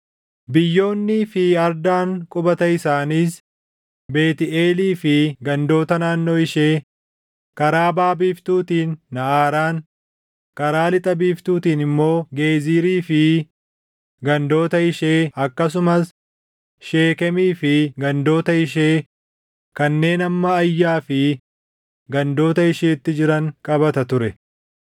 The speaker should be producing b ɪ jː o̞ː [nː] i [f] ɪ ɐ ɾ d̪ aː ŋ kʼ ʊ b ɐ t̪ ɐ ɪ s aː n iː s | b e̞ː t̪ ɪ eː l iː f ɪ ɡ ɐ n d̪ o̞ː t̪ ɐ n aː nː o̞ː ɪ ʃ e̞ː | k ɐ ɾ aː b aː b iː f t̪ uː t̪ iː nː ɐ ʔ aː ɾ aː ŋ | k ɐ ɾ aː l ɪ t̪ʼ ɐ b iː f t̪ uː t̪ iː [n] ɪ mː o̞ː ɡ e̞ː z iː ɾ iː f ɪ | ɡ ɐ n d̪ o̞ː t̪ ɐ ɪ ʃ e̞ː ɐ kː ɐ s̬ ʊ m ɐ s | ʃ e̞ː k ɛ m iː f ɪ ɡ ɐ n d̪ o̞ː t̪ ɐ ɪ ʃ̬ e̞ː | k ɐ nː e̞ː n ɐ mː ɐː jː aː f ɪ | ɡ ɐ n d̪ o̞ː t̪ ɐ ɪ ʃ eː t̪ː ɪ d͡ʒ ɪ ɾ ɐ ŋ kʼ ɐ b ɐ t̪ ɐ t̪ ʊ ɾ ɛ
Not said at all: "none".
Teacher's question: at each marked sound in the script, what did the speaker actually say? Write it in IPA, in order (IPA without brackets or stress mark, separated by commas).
nː, f, n